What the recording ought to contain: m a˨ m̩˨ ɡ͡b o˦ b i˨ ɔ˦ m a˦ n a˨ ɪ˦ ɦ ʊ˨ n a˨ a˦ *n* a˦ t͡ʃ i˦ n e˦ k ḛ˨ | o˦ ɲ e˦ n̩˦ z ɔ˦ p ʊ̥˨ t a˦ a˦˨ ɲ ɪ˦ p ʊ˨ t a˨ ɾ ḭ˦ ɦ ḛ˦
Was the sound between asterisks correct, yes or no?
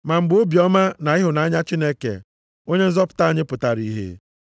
no